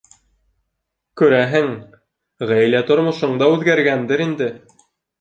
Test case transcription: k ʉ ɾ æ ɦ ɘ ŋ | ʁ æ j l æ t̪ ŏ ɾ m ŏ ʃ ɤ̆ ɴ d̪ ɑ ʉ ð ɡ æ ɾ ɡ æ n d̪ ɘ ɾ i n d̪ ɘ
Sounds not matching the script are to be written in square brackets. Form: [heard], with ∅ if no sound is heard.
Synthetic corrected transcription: k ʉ ɾ æ ɦ ɘ ŋ | ʁ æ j l æ t̪ ŏ ɾ m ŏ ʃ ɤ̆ ɴ d̪ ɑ ʉ ð ɡ æ ɾ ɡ æ n d̪ ɘ ɾ i n d̪ ɘ